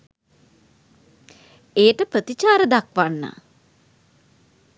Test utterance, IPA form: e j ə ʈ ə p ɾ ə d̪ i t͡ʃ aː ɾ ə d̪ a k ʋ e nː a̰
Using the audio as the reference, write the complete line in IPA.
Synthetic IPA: e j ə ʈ ə p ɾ ə t̪ i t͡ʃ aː ɾ ə d̪ a k ʋ a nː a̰